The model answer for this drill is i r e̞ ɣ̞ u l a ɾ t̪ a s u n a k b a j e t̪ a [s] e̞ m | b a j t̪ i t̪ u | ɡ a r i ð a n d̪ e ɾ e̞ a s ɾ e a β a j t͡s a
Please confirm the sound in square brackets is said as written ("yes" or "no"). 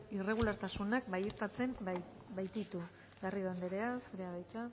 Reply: no